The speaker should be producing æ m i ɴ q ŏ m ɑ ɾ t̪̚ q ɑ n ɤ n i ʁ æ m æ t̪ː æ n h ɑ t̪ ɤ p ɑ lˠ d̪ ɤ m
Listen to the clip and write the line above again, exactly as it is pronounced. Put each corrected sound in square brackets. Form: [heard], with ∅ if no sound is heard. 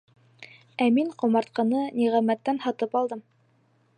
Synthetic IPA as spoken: æ m i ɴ q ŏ m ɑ ɾ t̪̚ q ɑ n ɤ n i ʁ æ m æ t̪ː æ n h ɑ t̪ ɤ p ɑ lˠ d̪ ɤ m